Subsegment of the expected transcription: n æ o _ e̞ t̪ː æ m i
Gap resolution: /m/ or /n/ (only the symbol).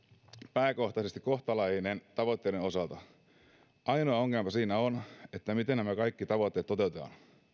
n